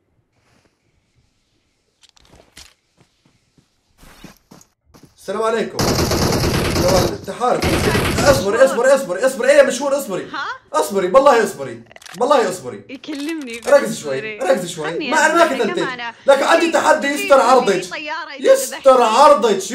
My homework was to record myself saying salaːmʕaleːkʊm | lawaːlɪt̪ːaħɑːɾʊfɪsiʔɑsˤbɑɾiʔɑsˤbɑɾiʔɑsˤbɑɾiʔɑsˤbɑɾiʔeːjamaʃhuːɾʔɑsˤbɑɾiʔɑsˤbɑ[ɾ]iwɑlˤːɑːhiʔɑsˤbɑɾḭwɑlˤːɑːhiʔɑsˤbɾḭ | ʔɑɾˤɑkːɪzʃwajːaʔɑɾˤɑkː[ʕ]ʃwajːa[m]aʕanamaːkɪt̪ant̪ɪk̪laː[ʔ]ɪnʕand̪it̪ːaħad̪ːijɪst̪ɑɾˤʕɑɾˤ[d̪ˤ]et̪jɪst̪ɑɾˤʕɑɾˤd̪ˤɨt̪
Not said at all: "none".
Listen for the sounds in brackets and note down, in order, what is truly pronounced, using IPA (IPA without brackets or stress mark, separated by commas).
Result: ɾ, z, m, k, d̪ˤ